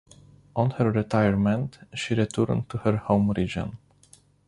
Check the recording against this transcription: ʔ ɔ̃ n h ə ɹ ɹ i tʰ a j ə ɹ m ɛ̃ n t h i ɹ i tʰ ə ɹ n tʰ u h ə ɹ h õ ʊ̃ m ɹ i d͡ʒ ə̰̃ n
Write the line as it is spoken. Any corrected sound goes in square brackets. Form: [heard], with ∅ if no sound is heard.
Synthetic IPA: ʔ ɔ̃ n h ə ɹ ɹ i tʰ a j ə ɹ m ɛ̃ n t [ʃ] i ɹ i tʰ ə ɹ n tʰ u h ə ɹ h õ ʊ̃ m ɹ i d͡ʒ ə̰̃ n